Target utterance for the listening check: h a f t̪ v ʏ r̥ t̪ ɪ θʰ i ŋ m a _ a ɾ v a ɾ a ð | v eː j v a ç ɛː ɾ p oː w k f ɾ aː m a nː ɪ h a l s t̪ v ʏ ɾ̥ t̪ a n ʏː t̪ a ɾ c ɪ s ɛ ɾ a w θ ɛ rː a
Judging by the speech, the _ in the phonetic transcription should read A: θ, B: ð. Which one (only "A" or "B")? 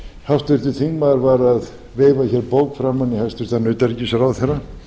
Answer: B